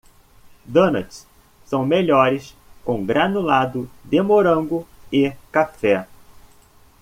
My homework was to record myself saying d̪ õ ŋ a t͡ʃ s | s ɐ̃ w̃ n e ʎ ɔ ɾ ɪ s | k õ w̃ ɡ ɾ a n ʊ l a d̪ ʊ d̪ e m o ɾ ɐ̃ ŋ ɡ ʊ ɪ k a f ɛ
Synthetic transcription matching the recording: d̪ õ n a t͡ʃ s | s ɐ̃ w̃ m e ʎ ɔ ɾ ɪ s | k õ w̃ ɡ ɾ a n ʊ l a d̪ ʊ d̪ e m o ɾ ɐ̃ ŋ ɡ ʊ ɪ k a f ɛ